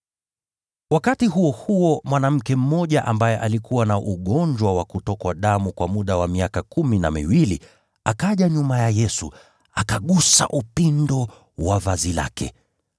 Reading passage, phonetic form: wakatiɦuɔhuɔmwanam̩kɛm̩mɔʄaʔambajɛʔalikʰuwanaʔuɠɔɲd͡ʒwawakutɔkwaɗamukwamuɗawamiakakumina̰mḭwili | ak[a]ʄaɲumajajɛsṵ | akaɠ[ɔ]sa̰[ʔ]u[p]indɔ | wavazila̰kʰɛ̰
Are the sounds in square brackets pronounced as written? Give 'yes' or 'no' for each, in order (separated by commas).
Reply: yes, no, yes, yes